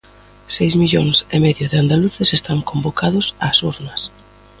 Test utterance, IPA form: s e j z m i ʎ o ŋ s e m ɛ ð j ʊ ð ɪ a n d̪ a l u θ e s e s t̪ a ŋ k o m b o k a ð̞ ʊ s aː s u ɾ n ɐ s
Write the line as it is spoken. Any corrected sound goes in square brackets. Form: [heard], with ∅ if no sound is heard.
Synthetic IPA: s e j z m i ʎ o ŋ s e m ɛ ð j ʊ ð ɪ a n d̪ a l u θ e s e s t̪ a ŋ k o m b o k a ð̞ ʊ s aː s u ɾ n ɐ s